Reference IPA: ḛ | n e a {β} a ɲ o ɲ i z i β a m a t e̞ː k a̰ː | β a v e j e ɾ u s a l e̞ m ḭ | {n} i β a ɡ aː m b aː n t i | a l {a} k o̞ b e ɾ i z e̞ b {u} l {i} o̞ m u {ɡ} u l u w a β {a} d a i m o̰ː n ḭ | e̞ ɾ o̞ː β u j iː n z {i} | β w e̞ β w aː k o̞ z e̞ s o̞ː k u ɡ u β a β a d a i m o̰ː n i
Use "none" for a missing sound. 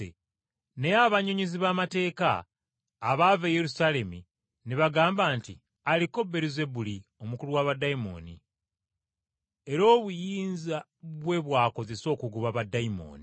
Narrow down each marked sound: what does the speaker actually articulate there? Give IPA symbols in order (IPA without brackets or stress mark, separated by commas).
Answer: β, n, i, u, i, k, a, a